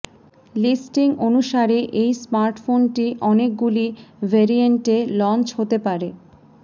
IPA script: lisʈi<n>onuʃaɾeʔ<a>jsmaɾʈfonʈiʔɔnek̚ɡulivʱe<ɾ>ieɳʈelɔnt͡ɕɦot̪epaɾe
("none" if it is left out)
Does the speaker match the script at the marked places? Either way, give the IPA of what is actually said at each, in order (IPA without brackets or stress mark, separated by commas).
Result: ŋ, e, ɾ